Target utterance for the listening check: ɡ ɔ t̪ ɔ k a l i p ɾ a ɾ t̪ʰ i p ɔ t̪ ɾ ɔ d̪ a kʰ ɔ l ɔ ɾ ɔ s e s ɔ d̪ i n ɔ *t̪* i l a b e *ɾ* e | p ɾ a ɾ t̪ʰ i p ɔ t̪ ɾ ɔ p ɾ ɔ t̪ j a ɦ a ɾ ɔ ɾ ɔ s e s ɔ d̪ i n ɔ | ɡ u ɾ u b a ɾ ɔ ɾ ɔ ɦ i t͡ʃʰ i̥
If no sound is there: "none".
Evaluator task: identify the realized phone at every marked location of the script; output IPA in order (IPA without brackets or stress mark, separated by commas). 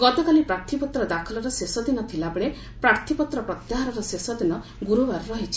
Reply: t̪ʰ, ɭ